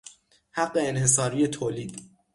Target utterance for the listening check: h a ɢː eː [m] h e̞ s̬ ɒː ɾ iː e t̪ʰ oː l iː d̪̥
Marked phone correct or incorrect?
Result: incorrect